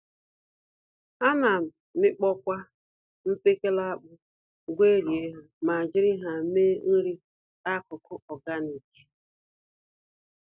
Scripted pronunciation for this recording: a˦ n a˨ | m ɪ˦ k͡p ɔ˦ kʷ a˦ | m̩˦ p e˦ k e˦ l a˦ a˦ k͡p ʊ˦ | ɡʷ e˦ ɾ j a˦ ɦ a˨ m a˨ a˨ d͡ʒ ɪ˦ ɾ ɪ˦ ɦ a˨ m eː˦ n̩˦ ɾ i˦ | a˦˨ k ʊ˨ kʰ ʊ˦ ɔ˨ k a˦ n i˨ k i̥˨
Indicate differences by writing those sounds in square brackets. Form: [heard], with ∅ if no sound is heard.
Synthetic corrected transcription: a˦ n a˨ | m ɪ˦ k͡p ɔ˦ kʷ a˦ | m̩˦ p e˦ k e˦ l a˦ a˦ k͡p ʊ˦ | ɡʷ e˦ ɾ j [e˦] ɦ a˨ m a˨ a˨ d͡ʒ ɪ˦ ɾ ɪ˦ ɦ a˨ m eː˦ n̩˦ ɾ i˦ | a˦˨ k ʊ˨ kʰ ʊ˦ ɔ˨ [ɡ] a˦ n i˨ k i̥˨